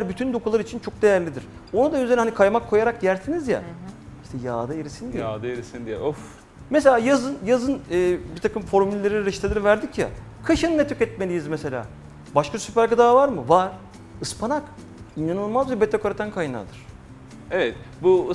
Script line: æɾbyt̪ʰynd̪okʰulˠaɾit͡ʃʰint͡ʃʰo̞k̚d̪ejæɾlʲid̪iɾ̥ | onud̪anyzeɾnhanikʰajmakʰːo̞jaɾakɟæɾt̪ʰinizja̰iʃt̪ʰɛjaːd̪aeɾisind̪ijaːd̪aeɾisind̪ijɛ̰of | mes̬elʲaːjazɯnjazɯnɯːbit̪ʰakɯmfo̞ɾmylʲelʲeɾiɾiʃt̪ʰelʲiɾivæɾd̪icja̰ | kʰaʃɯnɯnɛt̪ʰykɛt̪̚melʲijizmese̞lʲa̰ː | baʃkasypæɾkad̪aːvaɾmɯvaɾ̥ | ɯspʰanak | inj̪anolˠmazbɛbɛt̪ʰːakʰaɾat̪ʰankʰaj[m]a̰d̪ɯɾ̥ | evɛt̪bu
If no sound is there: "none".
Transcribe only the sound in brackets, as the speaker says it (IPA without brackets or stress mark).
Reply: n